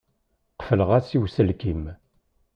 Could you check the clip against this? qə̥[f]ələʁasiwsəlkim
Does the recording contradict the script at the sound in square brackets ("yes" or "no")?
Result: no